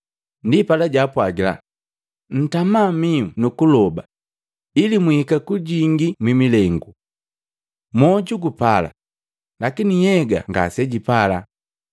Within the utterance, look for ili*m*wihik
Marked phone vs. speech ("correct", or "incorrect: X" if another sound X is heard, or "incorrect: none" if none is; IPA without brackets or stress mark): correct